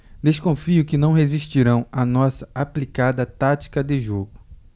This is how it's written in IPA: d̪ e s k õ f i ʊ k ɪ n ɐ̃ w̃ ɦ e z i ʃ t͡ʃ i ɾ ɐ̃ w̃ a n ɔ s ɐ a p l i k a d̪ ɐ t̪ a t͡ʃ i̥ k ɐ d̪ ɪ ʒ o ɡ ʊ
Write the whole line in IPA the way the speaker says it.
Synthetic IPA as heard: d̪ e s k õ f i ʊ k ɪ n ɐ̃ w̃ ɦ e z i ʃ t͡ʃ i ɾ ɐ̃ w̃ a n ɔ s ɐ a p l i k a d̪ ɐ t̪ a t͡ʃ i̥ k ɐ d̪ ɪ ʒ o ɡ ʊ